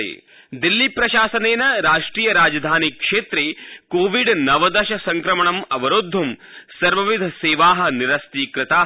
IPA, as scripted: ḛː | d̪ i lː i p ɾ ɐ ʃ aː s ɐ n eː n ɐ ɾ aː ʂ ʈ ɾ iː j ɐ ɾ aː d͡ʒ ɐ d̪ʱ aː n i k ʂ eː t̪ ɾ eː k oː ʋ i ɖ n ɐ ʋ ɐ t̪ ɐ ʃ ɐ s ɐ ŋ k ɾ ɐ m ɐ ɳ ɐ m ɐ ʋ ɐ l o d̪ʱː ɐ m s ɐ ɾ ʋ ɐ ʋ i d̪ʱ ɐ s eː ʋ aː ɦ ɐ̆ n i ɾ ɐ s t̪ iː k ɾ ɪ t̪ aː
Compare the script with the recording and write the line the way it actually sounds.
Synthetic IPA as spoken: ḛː | d̪ i lː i p ɾ ɐ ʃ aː s ɐ n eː n ɐ ɾ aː ʂ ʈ ɾ iː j ɐ ɾ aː d͡ʒ ɐ d̪ʱ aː n i k ʂ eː t̪ ɾ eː k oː ʋ i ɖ n ɐ ʋ ɐ d̪ ɐ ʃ ɐ s ɐ ŋ k ɾ ɐ m ɐ ɳ ɐ m ɐ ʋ ɐ ɾ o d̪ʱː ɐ m s ɐ ɾ ʋ ɐ ʋ i d̪ʱ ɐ s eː ʋ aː ɦ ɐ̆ n i ɾ ɐ s t̪ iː k ɾ ɪ t̪ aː

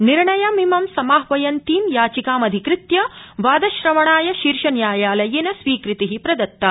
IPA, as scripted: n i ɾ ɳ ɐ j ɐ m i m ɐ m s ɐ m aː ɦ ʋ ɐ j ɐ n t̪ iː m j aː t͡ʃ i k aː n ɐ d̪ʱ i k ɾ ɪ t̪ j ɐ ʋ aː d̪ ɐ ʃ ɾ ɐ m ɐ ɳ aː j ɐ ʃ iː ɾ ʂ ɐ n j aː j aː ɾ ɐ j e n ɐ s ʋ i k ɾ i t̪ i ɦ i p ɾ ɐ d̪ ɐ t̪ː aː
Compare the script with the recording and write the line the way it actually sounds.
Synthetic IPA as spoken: n i ɾ ɳ ɐ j ɐ m i m ɐ m s ɐ m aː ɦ ʋ ɐ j ɐ n t̪ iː m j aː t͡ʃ i k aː m ɐ d̪ʱ i k ɾ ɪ t̪ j ɐ ʋ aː d̪ ɐ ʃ ɾ ɐ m ɐ ɳ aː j ɐ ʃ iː ɾ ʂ ɐ n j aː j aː l ɐ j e n ɐ s ʋ iː k ɾ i t̪ i ɦ i p ɾ ɐ d̪ ɐ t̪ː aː

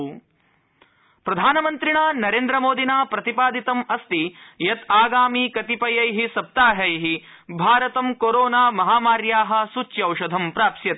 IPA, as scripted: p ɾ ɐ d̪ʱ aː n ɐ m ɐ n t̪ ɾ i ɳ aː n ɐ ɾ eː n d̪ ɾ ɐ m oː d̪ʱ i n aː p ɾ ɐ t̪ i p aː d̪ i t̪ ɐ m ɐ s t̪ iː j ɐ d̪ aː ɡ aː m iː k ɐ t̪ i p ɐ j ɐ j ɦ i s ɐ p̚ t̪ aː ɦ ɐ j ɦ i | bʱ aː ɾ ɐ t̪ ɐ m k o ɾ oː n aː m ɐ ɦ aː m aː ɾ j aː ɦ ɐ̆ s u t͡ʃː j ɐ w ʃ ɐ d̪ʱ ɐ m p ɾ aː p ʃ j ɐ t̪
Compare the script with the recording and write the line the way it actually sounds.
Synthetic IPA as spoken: p ɾ ɐ d̪ʱ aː n ɐ m ɐ n t̪ ɾ i ɳ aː n ɐ ɾ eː n d̪ ɾ ɐ m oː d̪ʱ i n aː p ɾ ɐ t̪ i p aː d̪ i t̪ ɐ m ɐ s t̪ i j ɐ t̪ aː ɡ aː m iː k ɐ t̪ i p ɐ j ɐ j ɦ i s ɐ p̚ t̪ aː ɦ ɐ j ɦ i | bʱ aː ɾ ɐ t̪ ɐ m k o ɾ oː n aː m ɐ ɦ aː m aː ɾ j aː ɦ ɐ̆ s u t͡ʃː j ɐ w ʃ ɐ d̪ʱ ɐ m p ɾ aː p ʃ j ɐ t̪

